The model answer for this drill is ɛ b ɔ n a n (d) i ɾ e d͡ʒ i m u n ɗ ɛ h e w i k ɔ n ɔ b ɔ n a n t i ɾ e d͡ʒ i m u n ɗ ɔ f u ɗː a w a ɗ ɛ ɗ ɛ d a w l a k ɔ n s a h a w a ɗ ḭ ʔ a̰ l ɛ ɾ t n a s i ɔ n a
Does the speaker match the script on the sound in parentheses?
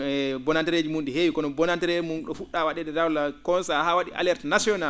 no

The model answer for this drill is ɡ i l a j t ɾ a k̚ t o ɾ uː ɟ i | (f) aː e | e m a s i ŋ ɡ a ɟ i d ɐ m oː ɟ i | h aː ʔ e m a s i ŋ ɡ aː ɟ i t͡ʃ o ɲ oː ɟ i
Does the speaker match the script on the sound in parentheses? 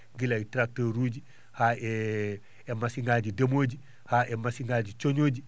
no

